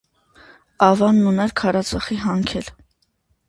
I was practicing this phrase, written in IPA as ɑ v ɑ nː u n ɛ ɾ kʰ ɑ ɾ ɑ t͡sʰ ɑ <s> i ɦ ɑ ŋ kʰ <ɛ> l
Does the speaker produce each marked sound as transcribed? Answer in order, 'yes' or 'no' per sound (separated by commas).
no, yes